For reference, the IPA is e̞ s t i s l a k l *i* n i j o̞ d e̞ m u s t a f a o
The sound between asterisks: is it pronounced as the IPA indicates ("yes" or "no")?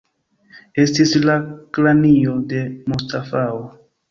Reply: no